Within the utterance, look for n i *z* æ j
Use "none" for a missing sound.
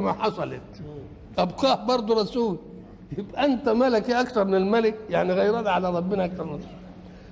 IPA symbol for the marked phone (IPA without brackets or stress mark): ɣ